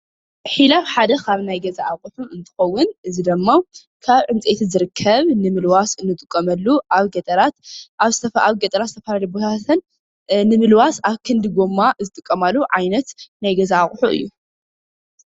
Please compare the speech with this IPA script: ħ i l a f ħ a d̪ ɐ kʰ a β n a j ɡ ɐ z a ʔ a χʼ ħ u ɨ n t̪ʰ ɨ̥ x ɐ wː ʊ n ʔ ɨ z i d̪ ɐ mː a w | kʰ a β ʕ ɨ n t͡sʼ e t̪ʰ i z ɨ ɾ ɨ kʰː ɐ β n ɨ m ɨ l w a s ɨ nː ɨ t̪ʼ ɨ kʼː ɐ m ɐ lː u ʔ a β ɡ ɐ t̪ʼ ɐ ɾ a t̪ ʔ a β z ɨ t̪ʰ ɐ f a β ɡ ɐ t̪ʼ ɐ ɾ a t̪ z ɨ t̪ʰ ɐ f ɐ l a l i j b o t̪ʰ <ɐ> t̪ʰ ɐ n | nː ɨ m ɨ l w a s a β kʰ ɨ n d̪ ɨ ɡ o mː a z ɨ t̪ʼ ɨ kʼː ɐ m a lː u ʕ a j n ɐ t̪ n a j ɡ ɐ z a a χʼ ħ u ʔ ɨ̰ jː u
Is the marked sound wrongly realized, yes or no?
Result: yes